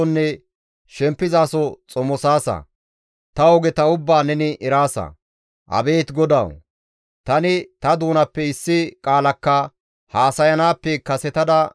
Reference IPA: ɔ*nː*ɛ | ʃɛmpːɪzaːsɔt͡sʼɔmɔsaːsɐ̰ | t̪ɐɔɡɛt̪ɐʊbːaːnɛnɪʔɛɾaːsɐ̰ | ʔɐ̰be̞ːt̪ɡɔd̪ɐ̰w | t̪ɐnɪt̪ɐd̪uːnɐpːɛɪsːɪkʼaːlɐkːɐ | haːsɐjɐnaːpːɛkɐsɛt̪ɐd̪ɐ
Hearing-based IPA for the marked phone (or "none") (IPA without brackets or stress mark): nː